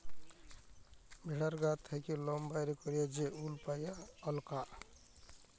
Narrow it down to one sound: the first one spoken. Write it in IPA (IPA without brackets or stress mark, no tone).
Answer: bʱ